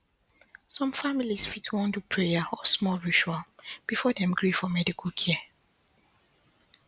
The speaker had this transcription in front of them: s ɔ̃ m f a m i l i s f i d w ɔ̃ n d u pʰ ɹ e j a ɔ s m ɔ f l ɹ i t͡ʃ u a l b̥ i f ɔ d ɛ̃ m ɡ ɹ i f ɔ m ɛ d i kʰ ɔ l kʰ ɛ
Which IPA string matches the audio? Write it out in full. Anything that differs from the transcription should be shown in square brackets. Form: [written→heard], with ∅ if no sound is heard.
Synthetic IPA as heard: s ɔ̃ m f a m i l i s f i [d→t] w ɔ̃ n d u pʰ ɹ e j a ɔ s m ɔ [f→∅] l ɹ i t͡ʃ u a l b̥ i f ɔ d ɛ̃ m ɡ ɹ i f ɔ m ɛ d i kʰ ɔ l kʰ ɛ